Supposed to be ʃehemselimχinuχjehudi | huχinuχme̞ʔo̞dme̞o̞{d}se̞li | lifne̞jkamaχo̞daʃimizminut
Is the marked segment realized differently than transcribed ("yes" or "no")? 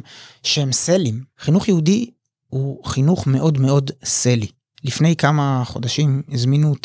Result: no